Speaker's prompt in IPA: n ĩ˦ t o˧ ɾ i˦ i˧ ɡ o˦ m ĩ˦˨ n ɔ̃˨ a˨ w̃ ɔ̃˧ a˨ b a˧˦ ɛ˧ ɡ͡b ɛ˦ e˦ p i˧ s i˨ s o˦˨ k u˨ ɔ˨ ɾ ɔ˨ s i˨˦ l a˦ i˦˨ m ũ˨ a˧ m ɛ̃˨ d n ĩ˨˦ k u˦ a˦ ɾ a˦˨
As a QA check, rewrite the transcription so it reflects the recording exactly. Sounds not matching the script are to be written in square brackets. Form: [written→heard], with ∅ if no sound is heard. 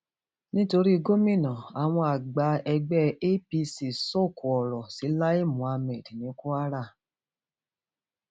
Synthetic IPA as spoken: n ĩ˦ t o˧ ɾ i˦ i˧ ɡ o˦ m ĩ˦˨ n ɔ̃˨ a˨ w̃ ɔ̃˧ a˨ [b→ɡ͡b] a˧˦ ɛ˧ ɡ͡b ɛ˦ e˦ p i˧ s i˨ s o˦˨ k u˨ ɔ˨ ɾ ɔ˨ s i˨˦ l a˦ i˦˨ m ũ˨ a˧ m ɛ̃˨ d n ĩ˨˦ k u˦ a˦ ɾ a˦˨